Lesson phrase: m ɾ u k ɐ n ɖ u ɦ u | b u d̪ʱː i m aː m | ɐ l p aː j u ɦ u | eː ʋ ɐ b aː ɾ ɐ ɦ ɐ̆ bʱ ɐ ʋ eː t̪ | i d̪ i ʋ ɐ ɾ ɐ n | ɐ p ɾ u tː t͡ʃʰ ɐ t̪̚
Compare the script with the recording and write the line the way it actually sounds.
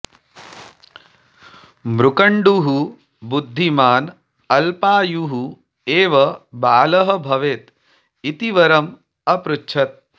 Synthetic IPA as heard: m ɾ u k ɐ ɳ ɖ u ɦ u | b u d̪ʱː i m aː n | ɐ l p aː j u ɦ u | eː ʋ ɐ b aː l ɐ ɦ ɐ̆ bʱ ɐ ʋ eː t̪ | i t̪ i ʋ ɐ ɾ ɐ m | ɐ p ɾ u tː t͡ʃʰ ɐ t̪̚